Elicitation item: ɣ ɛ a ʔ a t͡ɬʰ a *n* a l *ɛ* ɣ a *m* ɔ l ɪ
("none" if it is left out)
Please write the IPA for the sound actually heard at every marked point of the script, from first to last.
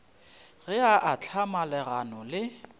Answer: m, ɛ, n

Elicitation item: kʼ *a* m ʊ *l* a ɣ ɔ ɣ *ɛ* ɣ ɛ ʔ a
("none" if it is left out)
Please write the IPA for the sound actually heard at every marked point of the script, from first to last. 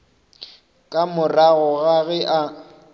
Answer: a, r, a

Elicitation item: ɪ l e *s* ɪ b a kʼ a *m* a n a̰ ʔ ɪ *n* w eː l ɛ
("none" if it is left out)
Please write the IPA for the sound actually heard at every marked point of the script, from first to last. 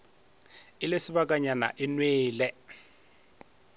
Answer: s, ɲ, n

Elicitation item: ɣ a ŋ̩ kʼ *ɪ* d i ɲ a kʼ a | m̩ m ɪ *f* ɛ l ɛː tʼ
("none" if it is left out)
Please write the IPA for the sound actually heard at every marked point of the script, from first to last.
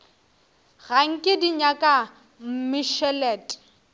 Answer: ɪ, ʃ

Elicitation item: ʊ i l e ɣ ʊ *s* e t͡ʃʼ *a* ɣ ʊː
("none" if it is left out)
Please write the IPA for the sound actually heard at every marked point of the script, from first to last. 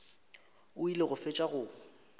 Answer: f, a

